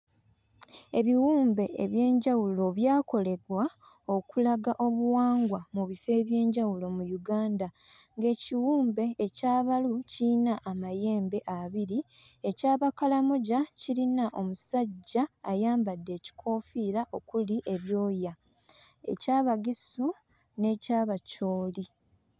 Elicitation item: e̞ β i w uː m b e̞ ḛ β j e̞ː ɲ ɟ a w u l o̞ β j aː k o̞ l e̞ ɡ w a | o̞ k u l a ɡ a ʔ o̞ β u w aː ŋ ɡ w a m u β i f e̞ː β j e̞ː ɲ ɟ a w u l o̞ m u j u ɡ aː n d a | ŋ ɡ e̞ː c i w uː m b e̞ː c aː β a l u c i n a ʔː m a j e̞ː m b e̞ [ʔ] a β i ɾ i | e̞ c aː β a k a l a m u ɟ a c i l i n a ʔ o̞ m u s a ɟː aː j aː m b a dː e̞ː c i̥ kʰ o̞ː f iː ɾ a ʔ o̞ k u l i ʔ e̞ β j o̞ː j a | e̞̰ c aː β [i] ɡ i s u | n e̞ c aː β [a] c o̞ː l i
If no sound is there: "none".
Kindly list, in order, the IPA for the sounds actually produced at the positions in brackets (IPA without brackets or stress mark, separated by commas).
ʔ, a, a